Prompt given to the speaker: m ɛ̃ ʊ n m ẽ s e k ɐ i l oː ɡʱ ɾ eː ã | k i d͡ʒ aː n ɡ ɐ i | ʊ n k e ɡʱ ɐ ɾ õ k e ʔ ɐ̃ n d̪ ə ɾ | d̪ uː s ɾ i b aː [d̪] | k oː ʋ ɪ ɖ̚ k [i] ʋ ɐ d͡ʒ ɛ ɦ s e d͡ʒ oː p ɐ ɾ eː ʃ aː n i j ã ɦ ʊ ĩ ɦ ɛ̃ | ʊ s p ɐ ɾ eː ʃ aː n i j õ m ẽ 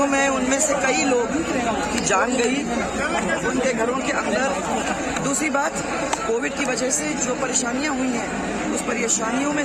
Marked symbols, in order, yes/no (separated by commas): no, yes